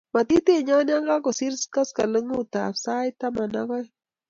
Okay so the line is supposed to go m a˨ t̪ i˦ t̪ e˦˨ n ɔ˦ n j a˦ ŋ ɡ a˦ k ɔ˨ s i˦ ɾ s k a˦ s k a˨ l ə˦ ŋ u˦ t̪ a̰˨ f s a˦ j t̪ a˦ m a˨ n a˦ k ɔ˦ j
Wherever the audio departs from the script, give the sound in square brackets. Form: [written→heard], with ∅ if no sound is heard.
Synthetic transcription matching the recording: m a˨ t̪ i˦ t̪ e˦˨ [n→ɲ] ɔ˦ n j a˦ ŋ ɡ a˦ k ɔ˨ s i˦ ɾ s k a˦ s k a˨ l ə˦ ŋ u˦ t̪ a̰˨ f s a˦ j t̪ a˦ m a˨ n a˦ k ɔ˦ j